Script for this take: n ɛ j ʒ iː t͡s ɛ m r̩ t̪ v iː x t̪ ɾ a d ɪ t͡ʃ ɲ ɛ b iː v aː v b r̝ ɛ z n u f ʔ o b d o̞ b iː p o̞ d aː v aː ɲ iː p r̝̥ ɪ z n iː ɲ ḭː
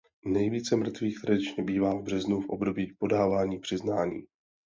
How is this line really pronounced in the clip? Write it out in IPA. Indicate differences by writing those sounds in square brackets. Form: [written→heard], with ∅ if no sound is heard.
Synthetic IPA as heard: n ɛ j [ʒ→v] iː t͡s ɛ m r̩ t̪ v iː x t̪ ɾ a d ɪ t͡ʃ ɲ ɛ b iː v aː v b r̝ ɛ z n u f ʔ o b d o̞ b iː p o̞ d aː v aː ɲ iː p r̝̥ ɪ z n [iː→aː] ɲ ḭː